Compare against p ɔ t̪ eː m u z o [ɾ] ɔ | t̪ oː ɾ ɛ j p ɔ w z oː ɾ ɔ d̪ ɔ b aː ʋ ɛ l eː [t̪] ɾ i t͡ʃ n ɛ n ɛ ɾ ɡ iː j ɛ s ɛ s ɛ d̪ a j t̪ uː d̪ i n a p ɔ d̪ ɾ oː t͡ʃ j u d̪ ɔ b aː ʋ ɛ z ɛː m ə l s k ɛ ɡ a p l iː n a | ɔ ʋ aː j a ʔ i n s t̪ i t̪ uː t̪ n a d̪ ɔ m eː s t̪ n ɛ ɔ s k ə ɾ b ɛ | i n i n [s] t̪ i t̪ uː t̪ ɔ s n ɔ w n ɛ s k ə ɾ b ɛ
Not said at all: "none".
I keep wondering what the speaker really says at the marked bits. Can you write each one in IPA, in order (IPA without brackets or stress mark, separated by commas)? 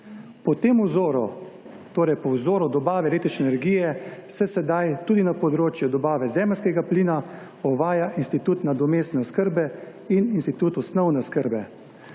ɾ, t̪, s